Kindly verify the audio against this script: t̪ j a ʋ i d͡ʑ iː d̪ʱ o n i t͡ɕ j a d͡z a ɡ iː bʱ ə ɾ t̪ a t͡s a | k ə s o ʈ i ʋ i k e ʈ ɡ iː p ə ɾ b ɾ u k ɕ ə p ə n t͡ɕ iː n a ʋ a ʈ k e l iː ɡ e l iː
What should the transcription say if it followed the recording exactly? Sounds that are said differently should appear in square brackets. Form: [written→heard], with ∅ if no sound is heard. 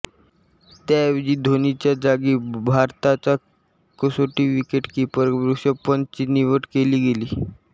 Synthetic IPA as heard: t̪ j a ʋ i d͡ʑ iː d̪ʱ o n i t͡ɕ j a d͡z a ɡ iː bʱ [ə→a] ɾ t̪ a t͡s a | k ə s o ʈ i ʋ i k e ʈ [ɡ→k] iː p ə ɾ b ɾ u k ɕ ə p ə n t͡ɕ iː n [a→i] ʋ [a→ə] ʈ k e l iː ɡ e l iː

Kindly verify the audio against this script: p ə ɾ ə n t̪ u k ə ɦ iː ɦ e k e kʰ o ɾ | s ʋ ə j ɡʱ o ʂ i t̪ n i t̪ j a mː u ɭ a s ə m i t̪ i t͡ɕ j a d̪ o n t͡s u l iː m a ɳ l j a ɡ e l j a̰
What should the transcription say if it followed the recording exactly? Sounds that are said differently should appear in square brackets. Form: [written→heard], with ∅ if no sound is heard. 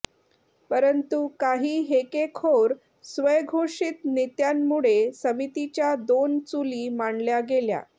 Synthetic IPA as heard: p ə ɾ ə n t̪ u k [ə→a] ɦ iː ɦ e k e kʰ o ɾ | s ʋ ə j ɡʱ o ʂ i t̪ n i t̪ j a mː u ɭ [a→e] s ə m i t̪ i t͡ɕ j a d̪ o n t͡s u l iː m a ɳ l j a ɡ e l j a̰

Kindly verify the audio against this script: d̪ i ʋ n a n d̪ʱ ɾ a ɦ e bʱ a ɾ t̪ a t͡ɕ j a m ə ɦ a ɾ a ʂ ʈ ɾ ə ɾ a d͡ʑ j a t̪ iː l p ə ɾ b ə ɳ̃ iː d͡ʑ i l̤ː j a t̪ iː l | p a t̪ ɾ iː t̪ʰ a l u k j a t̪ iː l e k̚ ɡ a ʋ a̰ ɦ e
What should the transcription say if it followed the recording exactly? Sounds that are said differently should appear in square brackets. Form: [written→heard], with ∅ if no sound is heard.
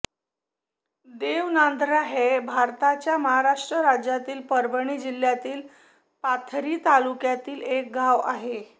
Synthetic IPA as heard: d̪ [i→e] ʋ n a n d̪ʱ ɾ a ɦ e bʱ a ɾ t̪ a t͡ɕ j a m ə ɦ a ɾ a ʂ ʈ ɾ ə ɾ a d͡ʑ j a t̪ iː l p ə ɾ b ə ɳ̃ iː d͡ʑ i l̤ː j a t̪ iː l | p a [t̪→t̪ʰ] ɾ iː [t̪ʰ→t̪] a l u k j a t̪ iː l e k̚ ɡ a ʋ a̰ ɦ e

